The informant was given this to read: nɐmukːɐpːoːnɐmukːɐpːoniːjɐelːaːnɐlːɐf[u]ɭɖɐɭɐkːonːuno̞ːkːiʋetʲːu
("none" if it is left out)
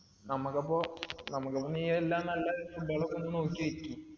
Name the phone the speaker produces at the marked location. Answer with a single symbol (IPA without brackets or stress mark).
u